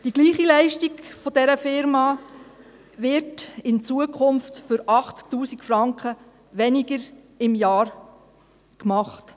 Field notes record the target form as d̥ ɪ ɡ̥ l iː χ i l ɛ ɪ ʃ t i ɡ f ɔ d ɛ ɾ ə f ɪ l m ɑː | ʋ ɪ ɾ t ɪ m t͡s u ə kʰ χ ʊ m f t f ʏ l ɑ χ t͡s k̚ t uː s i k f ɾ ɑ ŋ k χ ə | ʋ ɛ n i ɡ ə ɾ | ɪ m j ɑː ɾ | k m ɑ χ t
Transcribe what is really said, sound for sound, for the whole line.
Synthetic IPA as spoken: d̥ i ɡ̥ l iː χ i l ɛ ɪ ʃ t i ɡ f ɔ d ɛ ɾ ə f ɪ ɾ m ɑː | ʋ ɪ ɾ t ɪ n t͡s u ə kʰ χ ʊ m f t f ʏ ɾ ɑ χ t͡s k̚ t uː s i k f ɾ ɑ ŋ k χ ə | ʋ ɛ n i ɡ ə ɾ | ɪ m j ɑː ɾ | k m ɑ χ t

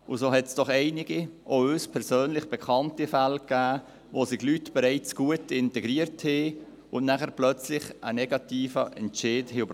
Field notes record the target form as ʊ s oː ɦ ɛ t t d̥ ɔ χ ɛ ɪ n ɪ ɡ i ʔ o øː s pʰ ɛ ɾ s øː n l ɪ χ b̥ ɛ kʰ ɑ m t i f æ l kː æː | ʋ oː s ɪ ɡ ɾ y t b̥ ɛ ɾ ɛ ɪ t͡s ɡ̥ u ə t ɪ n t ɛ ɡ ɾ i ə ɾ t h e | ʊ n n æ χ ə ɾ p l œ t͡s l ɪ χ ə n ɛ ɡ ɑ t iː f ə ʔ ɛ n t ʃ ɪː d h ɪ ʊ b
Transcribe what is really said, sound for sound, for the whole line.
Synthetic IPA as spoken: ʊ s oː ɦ ɛ t s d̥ ɔ χ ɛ ɪ n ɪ ɡ i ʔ o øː s pʰ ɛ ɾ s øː n l ɪ χ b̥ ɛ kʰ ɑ n t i f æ l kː æː | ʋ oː s ɪ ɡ l y t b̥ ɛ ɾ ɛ ɪ t͡s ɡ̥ u ə t ɪ n t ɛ ɡ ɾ i ə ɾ t h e | ʊ n n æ χ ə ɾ p l œ t͡s l ɪ χ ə n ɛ ɡ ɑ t iː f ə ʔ ɛ n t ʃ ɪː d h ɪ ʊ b

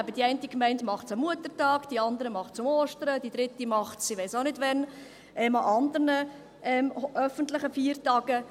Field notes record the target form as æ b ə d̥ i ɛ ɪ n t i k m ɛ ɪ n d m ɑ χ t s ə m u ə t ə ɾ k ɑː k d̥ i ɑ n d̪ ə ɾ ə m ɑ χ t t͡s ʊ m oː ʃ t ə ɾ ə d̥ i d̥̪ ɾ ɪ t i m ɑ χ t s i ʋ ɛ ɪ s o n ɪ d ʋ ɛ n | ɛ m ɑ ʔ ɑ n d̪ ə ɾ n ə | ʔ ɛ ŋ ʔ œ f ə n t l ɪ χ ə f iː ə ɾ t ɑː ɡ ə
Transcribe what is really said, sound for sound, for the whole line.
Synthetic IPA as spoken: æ b ə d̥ i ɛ ɪ n t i k m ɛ ɪ n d m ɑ χ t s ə m u ə t ə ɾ t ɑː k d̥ i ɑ n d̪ ə ɾ ə m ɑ χ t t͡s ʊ m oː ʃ t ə ɾ ə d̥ i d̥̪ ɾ ɪ t i m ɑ χ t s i ʋ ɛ ɪ s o n ɪ d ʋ ɛ n | ɛ m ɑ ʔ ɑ n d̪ ə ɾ n ə | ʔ ɛ m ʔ œ f ə n t l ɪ χ ə f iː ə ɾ t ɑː ɡ ə

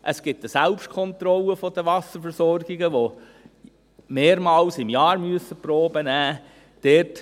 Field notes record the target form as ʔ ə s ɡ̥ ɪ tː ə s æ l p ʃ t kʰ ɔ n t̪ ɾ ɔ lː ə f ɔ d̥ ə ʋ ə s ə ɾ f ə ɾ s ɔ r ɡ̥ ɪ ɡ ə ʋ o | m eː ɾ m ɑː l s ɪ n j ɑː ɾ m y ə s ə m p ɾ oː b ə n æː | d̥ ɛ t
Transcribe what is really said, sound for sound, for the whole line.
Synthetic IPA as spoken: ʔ ə s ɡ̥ ɪ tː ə s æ l p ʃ t kʰ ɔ n t̪ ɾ ɔ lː ə f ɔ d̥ ə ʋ ɑ s ə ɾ f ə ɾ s ɔ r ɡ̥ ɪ ɡ ə ʋ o | m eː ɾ m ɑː l s ɪ m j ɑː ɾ m y ə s ə p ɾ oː b ə n æː | d̥ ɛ t

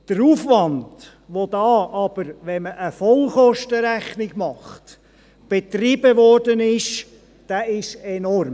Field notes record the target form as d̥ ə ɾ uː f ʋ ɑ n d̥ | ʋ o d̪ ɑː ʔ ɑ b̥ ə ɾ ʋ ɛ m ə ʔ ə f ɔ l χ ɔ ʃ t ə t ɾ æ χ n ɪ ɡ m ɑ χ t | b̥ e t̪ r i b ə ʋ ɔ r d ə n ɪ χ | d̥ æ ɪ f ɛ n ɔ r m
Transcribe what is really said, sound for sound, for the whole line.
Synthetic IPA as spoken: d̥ ə ɾ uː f ʋ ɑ n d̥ | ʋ o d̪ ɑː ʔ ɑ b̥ ə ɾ ʋ ɛ m ə ʔ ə f ɔ l χ ɔ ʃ t ə ɾ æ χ n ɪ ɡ m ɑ χ t | b̥ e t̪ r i b ə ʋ ɔ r d ə n ɪ ʃ | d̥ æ ɪ ʃ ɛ n ɔ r m

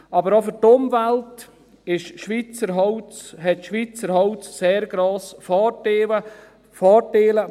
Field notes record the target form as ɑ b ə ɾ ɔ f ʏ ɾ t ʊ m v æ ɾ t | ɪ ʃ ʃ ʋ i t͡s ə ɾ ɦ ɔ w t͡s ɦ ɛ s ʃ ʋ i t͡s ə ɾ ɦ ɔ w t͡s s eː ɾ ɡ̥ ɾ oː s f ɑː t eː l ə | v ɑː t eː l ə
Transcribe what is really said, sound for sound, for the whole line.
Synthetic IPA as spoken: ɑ b ə ɾ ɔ f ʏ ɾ t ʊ m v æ l t | ɪ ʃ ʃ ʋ i t͡s ə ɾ ɦ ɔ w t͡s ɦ ɛ t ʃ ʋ i t͡s ə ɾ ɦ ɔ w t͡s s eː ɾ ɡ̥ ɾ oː s f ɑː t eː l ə | f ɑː t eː l ə

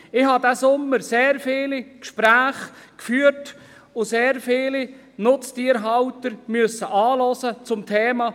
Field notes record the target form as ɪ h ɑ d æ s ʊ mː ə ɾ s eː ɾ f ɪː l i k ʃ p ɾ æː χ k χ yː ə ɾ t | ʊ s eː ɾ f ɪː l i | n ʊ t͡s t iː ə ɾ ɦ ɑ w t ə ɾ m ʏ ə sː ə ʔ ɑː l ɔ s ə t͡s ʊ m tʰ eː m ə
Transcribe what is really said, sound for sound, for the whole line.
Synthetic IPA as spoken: ɪ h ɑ d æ s ʊ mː ə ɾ s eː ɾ f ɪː l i k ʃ p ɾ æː χ k f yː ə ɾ t | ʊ s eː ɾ f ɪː l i | n ʊ t͡s t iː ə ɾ ɦ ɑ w t ə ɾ m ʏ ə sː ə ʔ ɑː l ɔ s ə t͡s ʊ m tʰ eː m ɑ

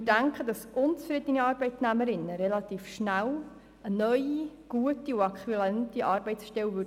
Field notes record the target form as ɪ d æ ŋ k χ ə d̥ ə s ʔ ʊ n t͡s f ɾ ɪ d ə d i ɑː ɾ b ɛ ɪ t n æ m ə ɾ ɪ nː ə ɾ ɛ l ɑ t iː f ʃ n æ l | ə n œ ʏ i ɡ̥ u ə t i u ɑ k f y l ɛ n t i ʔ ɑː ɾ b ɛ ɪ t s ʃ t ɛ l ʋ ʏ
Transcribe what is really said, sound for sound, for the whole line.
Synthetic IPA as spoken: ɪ d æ ŋ k χ ə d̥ ɑ s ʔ ʊ n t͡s f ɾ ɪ d ə n i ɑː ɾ b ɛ ɪ t n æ m ə ɾ ɪ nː ə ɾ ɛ l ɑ t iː f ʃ n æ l | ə n œ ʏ i ɡ̥ u ə t i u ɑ k χ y l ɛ n t i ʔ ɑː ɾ b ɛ ɪ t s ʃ t ɛ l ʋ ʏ

